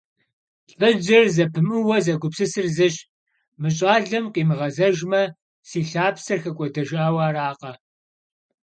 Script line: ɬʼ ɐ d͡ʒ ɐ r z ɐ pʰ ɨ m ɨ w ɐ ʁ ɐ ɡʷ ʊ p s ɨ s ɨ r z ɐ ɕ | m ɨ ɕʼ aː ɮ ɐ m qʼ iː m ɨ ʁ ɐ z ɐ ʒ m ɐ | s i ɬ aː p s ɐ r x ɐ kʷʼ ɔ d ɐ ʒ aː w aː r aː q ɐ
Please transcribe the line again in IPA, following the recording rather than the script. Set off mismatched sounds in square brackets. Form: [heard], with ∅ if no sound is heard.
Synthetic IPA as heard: ɬʼ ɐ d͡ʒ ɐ r z ɐ pʰ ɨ m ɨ w ɐ [z] ɐ ɡʷ ʊ p s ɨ s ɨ r z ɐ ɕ | m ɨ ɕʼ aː ɮ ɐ m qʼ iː m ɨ ʁ ɐ z ɐ ʒ m ɐ | s [iː] ɬ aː p s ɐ r x ɐ kʷʼ ɔ d ɐ ʒ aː w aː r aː q ɐ